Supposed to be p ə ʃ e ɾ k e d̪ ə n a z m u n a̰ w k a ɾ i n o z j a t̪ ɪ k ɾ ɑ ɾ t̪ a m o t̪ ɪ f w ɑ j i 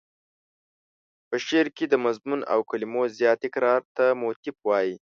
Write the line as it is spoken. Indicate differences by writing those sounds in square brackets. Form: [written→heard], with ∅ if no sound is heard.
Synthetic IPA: p ə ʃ e ɾ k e d̪ ə [n→m] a z m u n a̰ w k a [ɾ→l] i [n→m] o z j [a→ɑ] t̪ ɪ k ɾ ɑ ɾ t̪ a m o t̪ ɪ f w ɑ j i